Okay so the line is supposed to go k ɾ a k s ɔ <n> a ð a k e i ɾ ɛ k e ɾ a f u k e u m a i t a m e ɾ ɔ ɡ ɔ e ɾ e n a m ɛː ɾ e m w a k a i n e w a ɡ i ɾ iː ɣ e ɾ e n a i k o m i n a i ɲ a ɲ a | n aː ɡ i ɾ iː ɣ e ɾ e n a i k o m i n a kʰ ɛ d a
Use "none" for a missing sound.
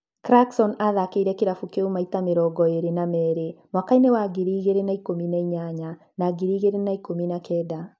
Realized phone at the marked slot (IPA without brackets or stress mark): n